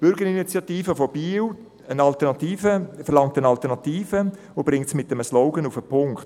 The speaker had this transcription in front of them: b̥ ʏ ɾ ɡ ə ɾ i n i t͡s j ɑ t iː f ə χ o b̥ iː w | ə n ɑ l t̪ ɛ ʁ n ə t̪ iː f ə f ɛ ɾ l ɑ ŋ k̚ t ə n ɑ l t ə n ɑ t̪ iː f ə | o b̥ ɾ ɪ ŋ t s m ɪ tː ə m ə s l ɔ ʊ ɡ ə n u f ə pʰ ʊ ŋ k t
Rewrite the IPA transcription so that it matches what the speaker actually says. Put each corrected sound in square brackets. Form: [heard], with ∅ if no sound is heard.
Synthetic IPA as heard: b̥ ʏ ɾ ɡ ə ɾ i n i t͡s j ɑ t iː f ə [f] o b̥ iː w | ə n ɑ l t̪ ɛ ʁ n [ɑ] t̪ iː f ə f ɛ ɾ l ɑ ŋ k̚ t ə n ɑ l t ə n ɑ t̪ iː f ə | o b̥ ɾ ɪ ŋ t s m ɪ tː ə m ə s l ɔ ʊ ɡ ə n u f ə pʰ ʊ ŋ k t